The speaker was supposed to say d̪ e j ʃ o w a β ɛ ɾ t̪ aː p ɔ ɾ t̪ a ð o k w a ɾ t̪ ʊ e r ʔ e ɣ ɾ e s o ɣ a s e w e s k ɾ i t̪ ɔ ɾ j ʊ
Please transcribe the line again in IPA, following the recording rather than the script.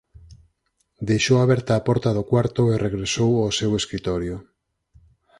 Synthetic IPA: d̪ e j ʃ o w a β ɛ ɾ t̪ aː p ɔ ɾ t̪ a ð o k w a ɾ t̪ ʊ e r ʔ e ɣ ɾ e s o w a s e w e s k ɾ i t̪ ɔ ɾ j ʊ